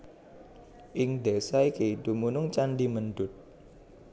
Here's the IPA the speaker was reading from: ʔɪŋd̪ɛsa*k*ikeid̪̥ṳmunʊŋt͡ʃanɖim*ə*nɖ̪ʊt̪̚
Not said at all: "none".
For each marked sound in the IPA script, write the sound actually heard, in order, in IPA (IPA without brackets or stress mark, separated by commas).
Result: none, ə